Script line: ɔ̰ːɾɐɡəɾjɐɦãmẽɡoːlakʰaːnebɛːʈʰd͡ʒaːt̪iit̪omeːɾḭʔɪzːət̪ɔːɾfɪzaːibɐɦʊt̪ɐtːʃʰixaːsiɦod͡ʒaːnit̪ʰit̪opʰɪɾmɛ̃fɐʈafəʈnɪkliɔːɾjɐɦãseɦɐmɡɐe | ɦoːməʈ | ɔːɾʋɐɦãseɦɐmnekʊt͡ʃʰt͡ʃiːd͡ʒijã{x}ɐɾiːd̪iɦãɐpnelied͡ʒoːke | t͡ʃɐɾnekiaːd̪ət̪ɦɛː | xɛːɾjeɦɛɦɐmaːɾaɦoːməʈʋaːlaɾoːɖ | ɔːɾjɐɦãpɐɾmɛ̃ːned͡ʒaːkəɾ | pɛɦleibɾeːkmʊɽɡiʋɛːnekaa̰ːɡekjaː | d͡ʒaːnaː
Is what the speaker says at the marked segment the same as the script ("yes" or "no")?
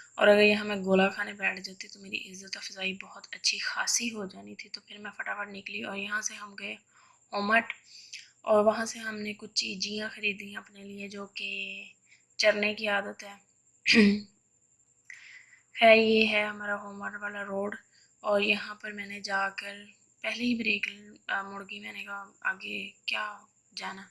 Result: yes